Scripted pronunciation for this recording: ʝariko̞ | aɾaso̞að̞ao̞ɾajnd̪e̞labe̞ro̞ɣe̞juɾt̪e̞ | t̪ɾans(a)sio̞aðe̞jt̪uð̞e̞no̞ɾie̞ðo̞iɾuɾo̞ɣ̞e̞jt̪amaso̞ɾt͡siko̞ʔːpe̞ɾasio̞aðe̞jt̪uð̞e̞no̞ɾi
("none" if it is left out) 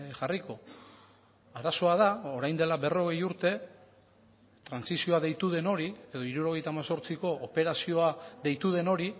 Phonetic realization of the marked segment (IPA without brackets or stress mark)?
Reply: i